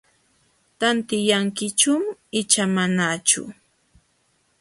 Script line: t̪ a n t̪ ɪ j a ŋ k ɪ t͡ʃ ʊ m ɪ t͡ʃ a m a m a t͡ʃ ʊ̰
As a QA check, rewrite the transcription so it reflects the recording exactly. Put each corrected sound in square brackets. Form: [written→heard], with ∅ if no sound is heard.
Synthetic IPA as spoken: t̪ a n t̪ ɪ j a ŋ k ɪ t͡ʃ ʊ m ɪ t͡ʃ a m a [m→n] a t͡ʃ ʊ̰